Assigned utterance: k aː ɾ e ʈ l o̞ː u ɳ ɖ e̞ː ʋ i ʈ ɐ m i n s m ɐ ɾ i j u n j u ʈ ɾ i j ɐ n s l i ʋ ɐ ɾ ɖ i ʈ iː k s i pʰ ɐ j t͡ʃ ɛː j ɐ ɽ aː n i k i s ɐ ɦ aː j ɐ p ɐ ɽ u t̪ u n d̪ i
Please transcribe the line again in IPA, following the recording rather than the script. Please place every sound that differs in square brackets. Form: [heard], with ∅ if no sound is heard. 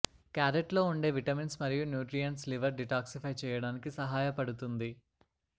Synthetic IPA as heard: k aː ɾ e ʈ l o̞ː u ɳ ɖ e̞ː ʋ i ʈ ɐ m i n s m ɐ ɾ i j u n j [uː] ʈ ɾ i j ɐ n s l i ʋ ɐ ɾ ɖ i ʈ [aː] k s i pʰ ɐ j t͡ʃ ɛː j ɐ ɽ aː n i k i s ɐ ɦ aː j ɐ p ɐ ɽ u t̪ u n d̪ i